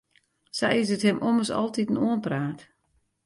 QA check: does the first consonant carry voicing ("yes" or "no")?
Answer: no